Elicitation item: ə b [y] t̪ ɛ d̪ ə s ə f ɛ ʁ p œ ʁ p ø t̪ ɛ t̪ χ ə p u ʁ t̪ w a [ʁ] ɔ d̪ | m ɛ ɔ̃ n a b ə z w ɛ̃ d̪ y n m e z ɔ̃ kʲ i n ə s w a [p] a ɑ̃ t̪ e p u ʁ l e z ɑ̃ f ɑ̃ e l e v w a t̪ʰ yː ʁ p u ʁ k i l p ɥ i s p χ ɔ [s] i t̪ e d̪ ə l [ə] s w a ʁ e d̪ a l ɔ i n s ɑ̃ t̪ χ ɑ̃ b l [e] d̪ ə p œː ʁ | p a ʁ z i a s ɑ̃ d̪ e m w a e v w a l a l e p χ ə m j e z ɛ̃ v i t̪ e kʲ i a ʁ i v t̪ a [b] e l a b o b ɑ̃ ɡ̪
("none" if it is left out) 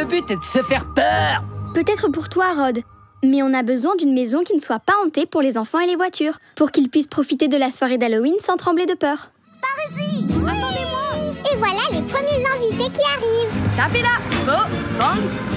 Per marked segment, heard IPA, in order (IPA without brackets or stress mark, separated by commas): y, ʁ, p, f, a, e, p